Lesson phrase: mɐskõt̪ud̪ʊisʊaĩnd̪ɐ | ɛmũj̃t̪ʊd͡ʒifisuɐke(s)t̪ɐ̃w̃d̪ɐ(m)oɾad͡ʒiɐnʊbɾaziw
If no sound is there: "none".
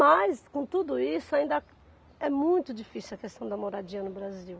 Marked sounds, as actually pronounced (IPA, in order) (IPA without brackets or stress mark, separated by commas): s, m